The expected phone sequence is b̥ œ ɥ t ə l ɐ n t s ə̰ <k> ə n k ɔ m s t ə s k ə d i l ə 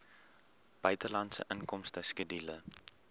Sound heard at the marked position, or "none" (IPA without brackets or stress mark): ʔ